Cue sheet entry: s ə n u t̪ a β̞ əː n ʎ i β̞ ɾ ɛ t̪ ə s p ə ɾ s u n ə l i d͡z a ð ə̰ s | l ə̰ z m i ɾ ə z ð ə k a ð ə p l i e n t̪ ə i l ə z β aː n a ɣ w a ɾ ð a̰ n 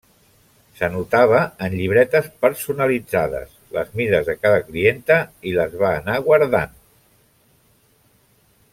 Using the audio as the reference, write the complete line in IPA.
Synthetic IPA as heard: s ə n u t̪ a β̞ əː n ʎ i β̞ ɾ ɛ t̪ ə s p ə ɾ s u n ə l i d͡z a ð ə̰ s | l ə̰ z m i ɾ ə z ð ə k a ð ə k l i e n t̪ ə i l ə z β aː n a ɣ w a ɾ ð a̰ n